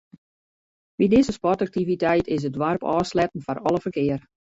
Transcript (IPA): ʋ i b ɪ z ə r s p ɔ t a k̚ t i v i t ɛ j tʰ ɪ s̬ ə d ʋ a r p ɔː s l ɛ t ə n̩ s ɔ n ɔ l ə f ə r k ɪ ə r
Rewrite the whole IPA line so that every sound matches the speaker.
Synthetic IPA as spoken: ʋ i d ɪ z ə s p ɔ t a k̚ t i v i t ɛ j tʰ ɪ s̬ ə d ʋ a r p ɔː s l ɛ t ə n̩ f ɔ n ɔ l ə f ə r k ɪ ə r